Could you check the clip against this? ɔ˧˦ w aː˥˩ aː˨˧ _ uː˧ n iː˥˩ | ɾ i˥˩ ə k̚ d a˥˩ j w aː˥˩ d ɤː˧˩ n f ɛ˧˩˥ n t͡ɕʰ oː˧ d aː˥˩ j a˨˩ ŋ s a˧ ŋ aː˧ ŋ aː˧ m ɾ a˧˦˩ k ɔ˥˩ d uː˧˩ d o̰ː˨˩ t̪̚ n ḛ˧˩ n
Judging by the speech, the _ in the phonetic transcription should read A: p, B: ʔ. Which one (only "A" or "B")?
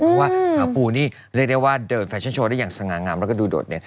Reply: A